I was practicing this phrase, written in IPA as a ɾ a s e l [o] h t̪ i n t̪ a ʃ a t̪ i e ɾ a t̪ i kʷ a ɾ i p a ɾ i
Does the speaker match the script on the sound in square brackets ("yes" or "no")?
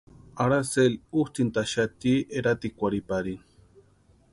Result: no